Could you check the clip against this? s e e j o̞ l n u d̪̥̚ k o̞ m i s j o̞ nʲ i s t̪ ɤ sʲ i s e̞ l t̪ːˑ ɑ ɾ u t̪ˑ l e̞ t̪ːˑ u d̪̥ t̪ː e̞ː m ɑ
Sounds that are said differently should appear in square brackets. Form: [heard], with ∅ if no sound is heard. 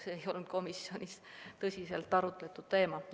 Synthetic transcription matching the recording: s e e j o̞ l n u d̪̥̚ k o̞ m i s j o̞ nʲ i s t̪ ɤ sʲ i s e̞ l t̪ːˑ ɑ ɾ u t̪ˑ l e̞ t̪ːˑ u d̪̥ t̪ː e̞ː m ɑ